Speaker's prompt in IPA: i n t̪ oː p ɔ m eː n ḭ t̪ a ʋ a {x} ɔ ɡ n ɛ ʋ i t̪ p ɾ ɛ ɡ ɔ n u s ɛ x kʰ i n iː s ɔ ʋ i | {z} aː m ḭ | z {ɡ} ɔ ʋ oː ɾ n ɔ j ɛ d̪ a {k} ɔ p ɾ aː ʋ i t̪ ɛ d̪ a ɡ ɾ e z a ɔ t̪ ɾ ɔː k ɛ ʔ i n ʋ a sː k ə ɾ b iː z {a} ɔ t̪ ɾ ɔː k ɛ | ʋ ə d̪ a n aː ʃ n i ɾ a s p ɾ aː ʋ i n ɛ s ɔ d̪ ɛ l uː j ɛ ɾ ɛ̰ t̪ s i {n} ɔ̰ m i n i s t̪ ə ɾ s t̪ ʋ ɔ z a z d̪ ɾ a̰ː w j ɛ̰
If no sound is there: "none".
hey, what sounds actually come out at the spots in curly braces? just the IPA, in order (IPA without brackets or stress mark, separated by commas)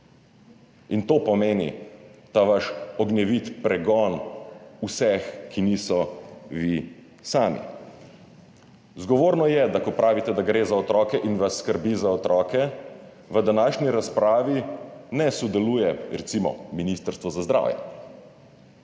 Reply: ʃ, s, ɡ, k, a, m